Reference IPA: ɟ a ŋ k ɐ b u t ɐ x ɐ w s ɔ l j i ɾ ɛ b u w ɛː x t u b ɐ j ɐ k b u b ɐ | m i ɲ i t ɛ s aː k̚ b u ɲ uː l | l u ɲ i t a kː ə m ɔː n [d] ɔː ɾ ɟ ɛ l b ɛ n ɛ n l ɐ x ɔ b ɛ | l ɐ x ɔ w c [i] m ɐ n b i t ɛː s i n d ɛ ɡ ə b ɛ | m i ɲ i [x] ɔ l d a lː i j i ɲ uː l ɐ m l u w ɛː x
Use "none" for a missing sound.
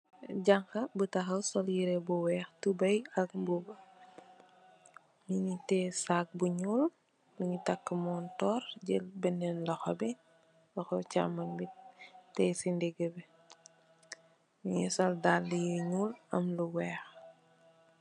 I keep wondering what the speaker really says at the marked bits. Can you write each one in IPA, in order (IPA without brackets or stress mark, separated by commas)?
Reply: t, a, s